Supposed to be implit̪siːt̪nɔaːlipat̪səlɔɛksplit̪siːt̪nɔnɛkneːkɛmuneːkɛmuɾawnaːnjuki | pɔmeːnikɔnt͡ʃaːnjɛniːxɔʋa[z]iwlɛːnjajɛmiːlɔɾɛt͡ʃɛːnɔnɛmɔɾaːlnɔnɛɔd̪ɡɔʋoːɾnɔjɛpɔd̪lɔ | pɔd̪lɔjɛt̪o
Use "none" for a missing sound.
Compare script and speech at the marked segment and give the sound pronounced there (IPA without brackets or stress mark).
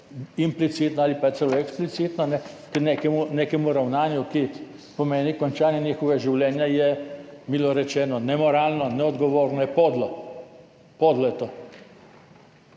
ʒ